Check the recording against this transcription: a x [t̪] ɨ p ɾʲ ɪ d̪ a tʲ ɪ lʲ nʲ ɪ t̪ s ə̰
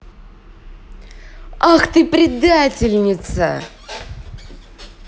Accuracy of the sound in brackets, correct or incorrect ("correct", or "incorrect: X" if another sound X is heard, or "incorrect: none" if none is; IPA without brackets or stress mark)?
correct